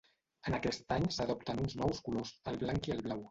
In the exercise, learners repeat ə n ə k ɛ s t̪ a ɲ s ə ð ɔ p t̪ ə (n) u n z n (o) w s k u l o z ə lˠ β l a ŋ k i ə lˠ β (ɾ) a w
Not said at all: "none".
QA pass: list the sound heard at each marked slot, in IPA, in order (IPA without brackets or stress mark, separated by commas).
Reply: n, ɔ, l